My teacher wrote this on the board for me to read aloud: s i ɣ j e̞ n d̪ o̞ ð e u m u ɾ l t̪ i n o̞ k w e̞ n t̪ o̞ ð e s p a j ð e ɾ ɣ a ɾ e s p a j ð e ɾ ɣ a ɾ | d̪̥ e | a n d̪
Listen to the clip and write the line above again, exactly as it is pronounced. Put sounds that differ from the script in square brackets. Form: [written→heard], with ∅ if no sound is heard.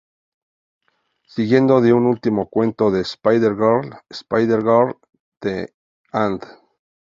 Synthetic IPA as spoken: s i ɣ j e̞ n d̪ o̞ ð e u [m→n] u [ɾ→∅] l t̪ i [n→m] o̞ k w e̞ n t̪ o̞ ð e s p a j ð e ɾ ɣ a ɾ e s p a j ð e ɾ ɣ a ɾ | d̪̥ e | a n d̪